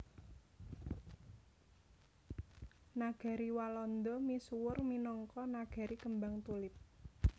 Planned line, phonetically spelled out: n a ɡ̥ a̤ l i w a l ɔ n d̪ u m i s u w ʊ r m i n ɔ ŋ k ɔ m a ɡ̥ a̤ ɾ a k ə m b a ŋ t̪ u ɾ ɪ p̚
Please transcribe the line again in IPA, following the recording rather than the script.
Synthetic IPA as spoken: n a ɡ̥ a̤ ɾ i w a l ɔ n d̪ ɔ m i s u w ʊ r m i n ɔ ŋ k ɔ n a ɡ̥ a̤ ɾ i k ə m b a ŋ t̪ u l ɪ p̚

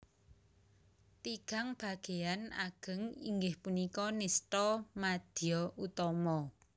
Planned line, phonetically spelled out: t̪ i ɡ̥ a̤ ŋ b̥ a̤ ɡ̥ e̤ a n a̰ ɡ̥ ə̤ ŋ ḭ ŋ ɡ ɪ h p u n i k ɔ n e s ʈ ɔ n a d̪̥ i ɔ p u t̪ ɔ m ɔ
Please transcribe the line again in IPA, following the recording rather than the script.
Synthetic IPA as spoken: t̪ i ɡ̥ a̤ ŋ b̥ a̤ ɡ̥ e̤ a n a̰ ɡ̥ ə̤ ŋ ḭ ŋ ɡ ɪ h p u n i k ɔ n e s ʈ ɔ m a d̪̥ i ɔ u t̪ ɔ m ɔ

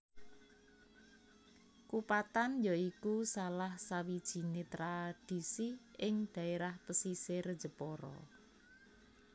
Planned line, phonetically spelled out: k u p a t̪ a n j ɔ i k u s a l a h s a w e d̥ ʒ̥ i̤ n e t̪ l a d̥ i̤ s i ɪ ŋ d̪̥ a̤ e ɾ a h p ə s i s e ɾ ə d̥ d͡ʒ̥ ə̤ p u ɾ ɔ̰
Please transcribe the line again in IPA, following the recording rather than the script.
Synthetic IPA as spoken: k u p a t̪ a n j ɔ i k u s a l a h s a w i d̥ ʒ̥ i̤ n e t̪ ɾ a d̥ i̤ s i ɪ ŋ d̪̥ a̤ e ɾ a h p ə s i s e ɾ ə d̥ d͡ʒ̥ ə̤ p ɔ ɾ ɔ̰

